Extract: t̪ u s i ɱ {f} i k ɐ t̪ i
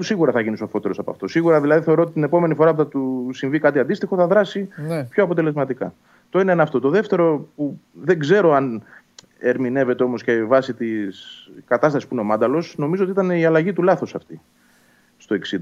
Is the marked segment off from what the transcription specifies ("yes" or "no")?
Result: yes